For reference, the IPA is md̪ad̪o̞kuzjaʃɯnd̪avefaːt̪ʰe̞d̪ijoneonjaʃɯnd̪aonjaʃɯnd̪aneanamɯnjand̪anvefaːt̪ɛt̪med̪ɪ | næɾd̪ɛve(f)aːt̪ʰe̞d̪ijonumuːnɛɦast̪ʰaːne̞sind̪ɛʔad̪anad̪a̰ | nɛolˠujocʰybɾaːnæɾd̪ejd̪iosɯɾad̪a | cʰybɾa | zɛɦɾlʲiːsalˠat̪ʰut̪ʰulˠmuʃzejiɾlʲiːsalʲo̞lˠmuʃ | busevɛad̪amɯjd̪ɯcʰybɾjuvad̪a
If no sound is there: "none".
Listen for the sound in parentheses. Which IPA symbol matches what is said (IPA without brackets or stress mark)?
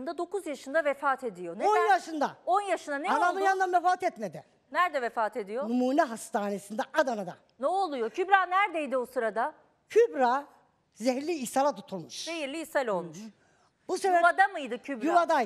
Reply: f